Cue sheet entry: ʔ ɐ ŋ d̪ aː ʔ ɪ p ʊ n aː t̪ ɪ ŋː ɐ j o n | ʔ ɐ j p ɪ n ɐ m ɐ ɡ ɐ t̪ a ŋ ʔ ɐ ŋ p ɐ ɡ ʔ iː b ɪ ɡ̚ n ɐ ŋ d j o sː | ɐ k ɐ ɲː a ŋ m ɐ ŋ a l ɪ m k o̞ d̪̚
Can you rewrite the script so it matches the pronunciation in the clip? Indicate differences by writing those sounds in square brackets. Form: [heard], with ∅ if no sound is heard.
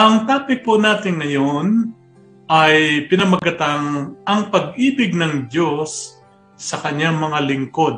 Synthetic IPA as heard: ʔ ɐ ŋ [t̪] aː [p] ɪ p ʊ n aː t̪ ɪ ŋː ɐ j o n | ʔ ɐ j p ɪ n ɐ m ɐ ɡ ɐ t̪ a ŋ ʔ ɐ ŋ p ɐ ɡ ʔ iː b ɪ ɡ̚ n ɐ ŋ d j o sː | ɐ k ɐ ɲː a ŋ m ɐ ŋ a l ɪ [ŋ] k o̞ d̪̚